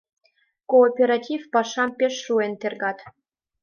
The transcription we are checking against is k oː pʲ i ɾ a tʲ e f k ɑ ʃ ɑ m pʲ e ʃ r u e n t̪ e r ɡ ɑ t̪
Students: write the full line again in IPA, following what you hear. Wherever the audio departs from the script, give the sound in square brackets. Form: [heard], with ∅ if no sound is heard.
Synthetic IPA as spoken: k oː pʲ [e] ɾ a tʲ [i] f [p] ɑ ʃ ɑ m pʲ e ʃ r u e n t̪ e r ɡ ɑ t̪